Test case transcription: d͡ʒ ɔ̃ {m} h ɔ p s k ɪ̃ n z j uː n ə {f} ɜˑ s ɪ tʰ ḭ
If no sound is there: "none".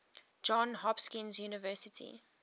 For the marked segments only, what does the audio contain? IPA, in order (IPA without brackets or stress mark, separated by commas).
n, v